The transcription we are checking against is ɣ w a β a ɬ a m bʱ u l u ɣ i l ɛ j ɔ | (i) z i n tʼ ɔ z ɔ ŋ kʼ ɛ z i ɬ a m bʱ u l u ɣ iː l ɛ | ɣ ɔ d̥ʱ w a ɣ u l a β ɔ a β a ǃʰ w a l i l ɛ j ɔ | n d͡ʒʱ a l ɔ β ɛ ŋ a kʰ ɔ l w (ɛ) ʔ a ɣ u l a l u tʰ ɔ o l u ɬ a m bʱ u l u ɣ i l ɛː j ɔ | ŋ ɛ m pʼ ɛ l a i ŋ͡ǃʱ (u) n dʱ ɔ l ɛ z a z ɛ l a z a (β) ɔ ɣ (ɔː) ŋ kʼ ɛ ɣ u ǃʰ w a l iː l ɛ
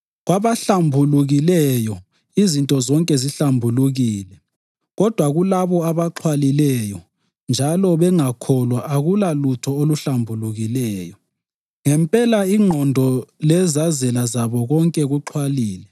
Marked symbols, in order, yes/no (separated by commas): yes, no, no, yes, no